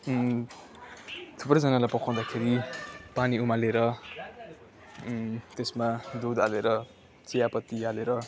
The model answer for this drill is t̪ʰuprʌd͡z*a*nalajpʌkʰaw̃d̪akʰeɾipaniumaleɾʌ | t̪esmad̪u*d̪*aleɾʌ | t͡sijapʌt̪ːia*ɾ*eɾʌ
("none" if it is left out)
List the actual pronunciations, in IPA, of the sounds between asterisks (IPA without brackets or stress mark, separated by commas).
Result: ʌ, d̪, l